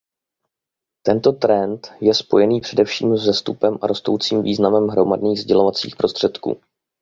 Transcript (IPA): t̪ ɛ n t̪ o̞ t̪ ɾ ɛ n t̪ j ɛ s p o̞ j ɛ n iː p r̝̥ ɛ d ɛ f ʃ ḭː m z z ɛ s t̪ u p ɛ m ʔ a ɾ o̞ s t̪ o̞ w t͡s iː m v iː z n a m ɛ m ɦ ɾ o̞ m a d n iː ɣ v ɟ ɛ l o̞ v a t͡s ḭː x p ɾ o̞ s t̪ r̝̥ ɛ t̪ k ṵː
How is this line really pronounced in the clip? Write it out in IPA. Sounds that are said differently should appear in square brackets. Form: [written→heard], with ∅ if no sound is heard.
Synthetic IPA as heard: t̪ ɛ n t̪ o̞ t̪ ɾ ɛ n t̪ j ɛ s p o̞ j ɛ n iː p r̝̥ ɛ d ɛ f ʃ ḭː m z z ɛ s t̪ u p ɛ m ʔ a ɾ o̞ s t̪ o̞ w t͡s iː m v iː z n a m ɛ m ɦ ɾ o̞ m a d n iː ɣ [v→z] ɟ ɛ l o̞ v a t͡s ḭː x p ɾ o̞ s t̪ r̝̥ ɛ t̪ k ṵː